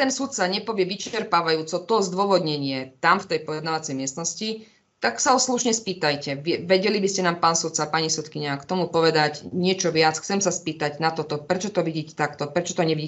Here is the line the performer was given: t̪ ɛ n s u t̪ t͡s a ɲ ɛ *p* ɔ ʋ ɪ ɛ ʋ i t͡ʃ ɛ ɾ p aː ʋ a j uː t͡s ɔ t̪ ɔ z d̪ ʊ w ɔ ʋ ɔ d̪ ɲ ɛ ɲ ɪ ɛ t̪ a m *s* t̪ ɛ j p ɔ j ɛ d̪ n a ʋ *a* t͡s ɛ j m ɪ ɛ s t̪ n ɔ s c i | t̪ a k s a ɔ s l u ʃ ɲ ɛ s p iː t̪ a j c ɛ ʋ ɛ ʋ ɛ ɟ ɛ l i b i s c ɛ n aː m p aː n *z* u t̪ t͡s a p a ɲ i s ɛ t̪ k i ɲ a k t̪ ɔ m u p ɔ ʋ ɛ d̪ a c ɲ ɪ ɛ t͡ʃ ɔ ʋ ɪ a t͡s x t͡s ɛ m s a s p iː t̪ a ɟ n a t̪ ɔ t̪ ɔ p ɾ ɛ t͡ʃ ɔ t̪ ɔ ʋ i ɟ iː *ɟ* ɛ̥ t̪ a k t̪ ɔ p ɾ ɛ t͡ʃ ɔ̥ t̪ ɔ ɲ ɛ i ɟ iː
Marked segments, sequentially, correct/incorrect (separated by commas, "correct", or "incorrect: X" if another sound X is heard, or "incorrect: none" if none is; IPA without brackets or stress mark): correct, incorrect: f, correct, incorrect: s, incorrect: c